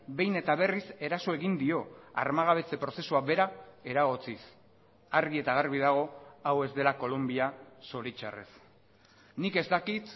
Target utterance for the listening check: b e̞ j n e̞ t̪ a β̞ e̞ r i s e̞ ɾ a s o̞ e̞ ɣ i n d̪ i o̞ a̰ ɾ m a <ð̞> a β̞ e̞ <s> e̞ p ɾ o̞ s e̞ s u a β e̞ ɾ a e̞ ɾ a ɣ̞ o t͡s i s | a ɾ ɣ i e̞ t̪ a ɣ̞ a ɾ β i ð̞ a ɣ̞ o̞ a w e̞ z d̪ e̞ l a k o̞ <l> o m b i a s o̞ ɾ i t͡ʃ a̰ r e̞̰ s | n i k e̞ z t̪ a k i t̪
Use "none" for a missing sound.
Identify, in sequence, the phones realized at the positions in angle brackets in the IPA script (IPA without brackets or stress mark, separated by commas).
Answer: ɣ̞, t͡s, l